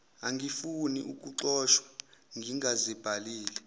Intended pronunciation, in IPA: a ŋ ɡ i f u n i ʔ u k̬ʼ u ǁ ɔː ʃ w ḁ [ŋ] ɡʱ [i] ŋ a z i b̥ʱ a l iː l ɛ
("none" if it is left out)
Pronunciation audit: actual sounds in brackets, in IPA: ŋ, i

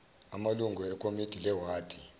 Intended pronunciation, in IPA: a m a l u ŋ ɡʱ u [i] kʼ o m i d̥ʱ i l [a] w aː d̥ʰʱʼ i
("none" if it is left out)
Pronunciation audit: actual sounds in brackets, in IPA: ɛ, ɛ

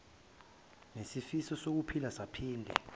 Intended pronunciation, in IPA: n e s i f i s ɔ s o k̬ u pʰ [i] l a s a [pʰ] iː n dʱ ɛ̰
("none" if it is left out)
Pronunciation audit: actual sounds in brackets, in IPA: i, pʰ

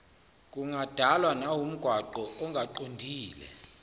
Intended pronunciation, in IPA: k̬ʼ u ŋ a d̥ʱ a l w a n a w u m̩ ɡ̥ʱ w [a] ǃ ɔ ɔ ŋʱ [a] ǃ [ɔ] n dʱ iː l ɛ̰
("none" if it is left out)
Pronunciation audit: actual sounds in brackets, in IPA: a, a, o

